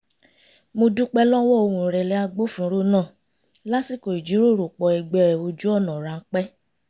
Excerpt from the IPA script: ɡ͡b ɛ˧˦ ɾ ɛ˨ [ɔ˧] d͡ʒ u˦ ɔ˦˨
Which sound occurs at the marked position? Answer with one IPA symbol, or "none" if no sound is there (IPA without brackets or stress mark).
o˧